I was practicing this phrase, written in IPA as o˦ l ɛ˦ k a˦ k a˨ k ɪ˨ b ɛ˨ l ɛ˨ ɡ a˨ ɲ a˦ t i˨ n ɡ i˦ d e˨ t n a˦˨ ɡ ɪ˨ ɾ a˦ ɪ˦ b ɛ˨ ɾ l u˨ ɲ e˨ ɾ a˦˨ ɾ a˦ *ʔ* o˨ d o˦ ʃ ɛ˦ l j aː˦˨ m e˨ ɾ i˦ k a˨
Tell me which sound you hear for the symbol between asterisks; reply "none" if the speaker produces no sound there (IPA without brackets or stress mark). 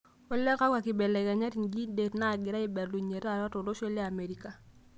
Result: t